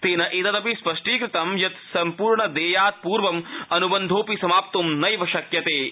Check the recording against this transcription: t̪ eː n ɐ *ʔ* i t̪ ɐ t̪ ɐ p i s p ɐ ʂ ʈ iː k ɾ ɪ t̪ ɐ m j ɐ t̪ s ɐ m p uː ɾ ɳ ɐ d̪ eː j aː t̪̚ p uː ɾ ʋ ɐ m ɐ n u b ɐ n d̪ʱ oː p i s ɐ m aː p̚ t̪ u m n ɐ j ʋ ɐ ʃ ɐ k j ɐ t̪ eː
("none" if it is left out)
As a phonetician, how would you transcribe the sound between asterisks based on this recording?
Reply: ʔ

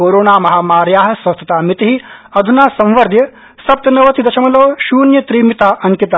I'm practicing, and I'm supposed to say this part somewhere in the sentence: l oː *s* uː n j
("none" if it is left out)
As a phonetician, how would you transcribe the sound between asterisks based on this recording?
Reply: ʃ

